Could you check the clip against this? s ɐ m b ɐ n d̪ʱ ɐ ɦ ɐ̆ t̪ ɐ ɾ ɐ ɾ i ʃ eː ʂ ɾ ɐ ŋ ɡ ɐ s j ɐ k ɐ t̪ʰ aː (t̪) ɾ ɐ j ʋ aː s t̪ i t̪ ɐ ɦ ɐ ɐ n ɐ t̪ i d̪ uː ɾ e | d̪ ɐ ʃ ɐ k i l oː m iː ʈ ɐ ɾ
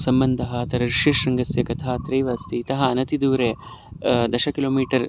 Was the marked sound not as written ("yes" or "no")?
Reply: no